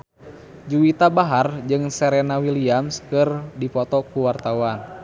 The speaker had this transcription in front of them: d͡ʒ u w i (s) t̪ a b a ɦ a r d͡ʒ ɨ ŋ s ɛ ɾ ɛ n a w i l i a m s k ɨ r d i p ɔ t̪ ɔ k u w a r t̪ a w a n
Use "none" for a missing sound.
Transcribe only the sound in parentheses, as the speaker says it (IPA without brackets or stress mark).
none